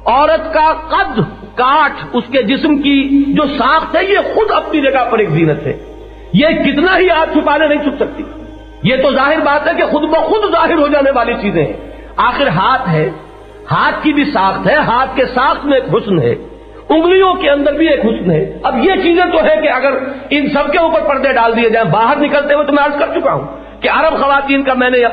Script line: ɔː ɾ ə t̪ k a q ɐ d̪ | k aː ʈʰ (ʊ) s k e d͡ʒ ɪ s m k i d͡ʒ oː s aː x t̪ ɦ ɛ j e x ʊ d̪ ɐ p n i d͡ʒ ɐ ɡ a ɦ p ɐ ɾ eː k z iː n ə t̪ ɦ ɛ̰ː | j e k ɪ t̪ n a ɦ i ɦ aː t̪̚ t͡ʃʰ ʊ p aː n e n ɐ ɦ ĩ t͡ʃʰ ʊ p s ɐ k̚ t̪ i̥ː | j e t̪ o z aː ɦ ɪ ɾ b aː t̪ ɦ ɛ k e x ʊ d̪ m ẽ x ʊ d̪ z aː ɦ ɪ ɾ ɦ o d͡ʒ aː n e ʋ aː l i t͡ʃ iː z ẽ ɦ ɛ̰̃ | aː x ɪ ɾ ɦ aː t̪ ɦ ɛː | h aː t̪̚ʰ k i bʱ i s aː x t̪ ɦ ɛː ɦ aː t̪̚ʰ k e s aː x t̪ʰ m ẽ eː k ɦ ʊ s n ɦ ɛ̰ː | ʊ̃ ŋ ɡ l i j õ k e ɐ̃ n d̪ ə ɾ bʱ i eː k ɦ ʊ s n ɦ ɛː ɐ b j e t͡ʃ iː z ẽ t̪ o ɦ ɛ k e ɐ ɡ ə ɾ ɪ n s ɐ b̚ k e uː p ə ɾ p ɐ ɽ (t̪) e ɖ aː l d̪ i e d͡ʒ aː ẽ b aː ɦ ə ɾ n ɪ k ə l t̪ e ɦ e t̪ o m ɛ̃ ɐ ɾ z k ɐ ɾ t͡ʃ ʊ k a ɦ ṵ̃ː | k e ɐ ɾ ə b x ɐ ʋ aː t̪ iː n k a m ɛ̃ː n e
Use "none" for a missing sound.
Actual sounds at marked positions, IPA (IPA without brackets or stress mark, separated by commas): ʊ, d̪